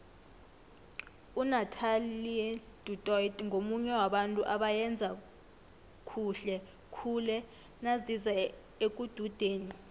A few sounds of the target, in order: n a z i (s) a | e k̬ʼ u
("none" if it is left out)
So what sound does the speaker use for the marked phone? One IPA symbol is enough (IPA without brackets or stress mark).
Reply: z